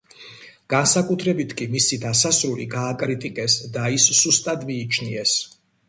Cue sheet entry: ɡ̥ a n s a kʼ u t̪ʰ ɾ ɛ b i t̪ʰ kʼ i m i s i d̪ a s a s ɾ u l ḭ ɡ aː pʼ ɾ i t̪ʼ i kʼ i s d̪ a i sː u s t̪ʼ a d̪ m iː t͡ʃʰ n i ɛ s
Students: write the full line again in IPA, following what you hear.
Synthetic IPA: ɡ̥ a n s a kʼ u t̪ʰ ɾ ɛ b i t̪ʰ kʼ i m i s i d̪ a s a s ɾ u l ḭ ɡ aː kʼ ɾ i t̪ʼ i kʼ ɛ s d̪ a i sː u s t̪ʼ a d̪ m iː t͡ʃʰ n i ɛ s